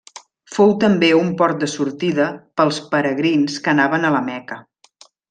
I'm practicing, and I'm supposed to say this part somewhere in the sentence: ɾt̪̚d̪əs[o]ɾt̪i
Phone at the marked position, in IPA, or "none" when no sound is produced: u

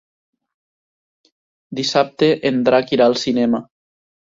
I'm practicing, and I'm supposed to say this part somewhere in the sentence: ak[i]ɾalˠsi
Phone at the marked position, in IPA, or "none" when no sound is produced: i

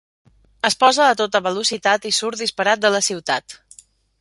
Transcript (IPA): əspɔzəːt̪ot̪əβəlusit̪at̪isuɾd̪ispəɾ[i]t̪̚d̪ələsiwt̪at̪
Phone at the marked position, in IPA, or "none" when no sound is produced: a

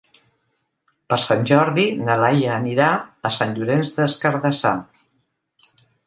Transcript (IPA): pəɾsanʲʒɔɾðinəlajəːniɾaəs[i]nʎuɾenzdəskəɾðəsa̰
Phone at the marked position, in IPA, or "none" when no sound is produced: a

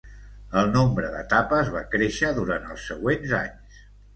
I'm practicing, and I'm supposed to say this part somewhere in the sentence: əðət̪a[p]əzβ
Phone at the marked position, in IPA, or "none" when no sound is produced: p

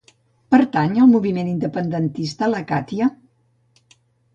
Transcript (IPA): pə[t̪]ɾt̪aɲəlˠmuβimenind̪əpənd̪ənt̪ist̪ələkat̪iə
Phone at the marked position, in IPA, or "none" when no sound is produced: none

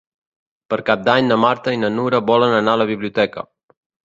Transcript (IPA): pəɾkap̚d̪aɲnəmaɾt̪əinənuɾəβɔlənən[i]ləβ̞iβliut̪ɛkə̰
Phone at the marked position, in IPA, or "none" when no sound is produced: a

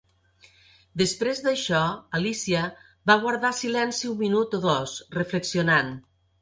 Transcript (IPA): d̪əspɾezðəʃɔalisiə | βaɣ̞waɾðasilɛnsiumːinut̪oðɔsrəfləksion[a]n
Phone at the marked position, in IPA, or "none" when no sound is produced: a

